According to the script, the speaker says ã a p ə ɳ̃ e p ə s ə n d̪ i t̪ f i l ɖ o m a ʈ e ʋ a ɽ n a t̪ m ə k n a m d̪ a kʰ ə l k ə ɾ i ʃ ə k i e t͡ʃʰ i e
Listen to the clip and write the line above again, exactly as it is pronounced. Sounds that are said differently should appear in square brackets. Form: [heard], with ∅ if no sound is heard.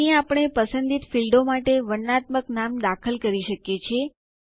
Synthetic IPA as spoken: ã a p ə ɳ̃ e p ə s ə n d̪ i t̪ f i l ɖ o m a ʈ e ʋ [ə] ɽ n a t̪ m ə k n a m d̪ a kʰ ə l k ə ɾ i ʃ ə k [j] e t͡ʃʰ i e

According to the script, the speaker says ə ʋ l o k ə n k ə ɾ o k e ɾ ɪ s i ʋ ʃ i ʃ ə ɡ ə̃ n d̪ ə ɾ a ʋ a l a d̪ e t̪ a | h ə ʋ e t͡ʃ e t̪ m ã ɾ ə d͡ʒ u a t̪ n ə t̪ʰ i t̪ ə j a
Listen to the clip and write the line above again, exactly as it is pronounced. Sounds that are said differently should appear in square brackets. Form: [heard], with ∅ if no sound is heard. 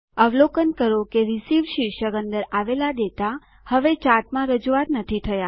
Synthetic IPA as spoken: ə ʋ l o k ə n k ə ɾ o k e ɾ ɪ s i ʋ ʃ i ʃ ə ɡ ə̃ n d̪ ə ɾ a ʋ [e] l a d̪ e t̪ a | h ə ʋ e t͡ʃ [a] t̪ m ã ɾ ə d͡ʒ u a t̪ n ə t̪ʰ i [t̪ʰ] ə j a

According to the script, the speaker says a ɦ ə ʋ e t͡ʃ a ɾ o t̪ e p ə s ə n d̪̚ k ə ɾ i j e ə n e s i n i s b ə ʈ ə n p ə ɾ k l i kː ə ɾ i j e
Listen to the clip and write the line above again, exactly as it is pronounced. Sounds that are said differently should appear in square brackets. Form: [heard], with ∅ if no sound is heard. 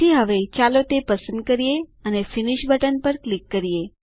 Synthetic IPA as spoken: [i] ɦ ə ʋ e t͡ʃ a [l] o t̪ e p ə s ə n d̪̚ k ə ɾ i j e ə n e [f] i n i [ʃ] b ə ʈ ə n p ə ɾ k l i kː ə ɾ i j e

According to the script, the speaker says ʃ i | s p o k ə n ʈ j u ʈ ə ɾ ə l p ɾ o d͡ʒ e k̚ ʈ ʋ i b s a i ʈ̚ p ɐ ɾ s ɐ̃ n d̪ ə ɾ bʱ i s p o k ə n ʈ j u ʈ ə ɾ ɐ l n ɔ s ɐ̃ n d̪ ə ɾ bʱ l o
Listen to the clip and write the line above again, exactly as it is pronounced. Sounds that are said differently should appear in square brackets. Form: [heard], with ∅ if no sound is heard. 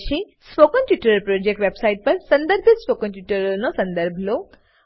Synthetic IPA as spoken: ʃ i | s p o k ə n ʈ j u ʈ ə ɾ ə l p ɾ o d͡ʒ e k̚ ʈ ʋ [e] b s a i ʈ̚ p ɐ ɾ s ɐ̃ n d̪ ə ɾ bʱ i s p o k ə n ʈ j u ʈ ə ɾ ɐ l n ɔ s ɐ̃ n d̪ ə ɾ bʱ l o

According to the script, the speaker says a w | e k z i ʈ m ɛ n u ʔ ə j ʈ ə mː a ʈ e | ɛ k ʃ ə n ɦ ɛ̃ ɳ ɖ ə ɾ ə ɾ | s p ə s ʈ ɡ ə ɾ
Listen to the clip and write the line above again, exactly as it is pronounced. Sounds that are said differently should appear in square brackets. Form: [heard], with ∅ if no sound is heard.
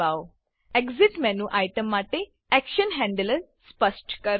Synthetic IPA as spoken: a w | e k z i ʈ m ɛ n u ʔ [a] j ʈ ə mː a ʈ e | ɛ k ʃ ə n ɦ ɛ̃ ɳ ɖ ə [l] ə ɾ | s p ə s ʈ [k] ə ɾ

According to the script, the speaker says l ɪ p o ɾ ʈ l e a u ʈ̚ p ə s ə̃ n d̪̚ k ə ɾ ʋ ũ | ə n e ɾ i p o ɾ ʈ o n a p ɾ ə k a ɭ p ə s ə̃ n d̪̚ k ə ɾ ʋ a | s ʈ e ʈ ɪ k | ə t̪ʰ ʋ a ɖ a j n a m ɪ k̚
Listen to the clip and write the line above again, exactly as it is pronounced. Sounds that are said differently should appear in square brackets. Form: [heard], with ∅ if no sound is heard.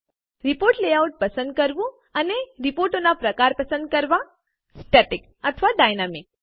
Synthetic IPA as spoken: [ɾ] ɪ p o ɾ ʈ l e a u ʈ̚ p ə s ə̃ n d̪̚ k ə ɾ ʋ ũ | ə n e ɾ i p o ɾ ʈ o n a p ɾ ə k a [ɾ] p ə s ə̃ n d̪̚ k ə ɾ ʋ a | s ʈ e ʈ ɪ k | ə t̪ʰ ʋ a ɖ a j n a m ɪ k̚

